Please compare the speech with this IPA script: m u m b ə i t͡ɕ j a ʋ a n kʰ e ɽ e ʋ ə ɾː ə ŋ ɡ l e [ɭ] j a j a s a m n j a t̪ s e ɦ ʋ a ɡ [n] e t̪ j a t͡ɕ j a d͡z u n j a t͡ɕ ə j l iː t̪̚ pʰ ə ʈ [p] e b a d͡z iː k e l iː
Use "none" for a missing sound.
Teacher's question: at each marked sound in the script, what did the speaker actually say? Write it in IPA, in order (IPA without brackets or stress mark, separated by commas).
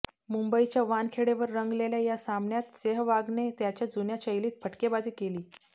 l, n, k